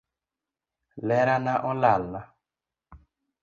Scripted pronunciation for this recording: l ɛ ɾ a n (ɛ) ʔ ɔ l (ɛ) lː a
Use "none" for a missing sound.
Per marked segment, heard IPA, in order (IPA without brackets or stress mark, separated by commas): a, a